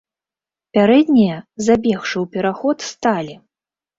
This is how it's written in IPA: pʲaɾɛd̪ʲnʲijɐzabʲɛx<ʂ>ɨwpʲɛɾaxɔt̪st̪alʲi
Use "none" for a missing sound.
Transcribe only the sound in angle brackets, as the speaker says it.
ʂ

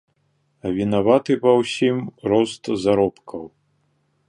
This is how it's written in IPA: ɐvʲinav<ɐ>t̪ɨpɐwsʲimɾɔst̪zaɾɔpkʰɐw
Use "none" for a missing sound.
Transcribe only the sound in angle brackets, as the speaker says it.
a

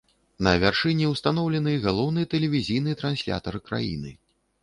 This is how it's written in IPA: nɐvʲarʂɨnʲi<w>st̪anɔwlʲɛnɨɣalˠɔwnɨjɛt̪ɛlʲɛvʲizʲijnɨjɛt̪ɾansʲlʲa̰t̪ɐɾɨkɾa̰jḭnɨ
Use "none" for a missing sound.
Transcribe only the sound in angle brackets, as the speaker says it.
w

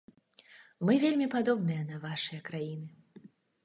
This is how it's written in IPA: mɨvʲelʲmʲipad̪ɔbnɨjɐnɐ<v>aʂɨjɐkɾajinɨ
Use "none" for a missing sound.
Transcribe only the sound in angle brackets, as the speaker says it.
v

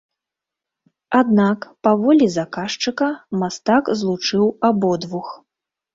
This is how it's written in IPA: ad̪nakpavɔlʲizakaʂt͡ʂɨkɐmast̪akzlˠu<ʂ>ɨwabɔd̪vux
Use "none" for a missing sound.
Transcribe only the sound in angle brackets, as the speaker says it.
t͡ʂ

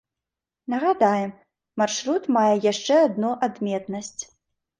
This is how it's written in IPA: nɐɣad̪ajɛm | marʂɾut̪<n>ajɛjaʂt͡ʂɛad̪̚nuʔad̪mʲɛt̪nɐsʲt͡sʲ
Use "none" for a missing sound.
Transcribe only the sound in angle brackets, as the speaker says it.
m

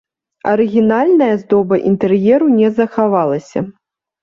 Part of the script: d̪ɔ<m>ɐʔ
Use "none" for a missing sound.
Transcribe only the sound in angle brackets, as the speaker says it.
b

